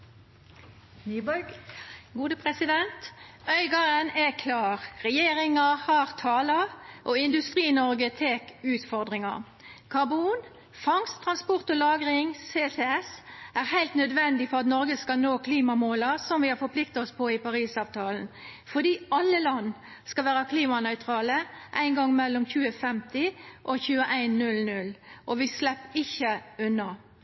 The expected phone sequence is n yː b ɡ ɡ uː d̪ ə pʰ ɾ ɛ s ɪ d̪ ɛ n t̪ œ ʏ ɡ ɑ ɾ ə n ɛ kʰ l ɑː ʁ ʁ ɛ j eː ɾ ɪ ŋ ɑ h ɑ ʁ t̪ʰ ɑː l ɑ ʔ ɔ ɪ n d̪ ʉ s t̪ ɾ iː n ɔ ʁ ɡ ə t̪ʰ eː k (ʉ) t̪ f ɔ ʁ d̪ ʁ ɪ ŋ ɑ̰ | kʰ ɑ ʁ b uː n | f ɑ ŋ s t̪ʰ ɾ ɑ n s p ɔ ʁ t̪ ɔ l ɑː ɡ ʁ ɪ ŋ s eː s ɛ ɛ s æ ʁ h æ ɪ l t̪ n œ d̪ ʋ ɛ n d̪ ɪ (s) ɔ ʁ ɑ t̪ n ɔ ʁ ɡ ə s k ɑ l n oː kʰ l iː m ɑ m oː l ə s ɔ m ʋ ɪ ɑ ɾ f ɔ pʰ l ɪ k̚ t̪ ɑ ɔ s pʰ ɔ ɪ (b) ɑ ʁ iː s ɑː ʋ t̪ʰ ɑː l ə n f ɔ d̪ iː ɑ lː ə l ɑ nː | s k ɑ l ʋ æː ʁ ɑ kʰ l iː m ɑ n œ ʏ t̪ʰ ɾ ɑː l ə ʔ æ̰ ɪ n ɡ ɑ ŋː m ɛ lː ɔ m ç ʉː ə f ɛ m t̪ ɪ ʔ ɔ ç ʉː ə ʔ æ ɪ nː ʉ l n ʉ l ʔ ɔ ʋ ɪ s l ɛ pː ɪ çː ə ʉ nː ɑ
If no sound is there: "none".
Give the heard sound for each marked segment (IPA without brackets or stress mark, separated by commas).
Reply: ʉː, f, p